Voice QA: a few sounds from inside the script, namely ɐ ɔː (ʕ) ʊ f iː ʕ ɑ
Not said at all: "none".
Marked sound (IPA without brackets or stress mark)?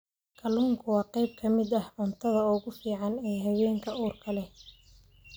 ɣ